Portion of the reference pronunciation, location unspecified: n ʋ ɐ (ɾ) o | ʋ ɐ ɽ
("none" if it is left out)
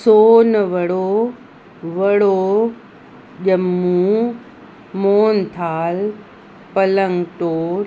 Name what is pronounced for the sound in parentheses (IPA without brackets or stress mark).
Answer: ɽ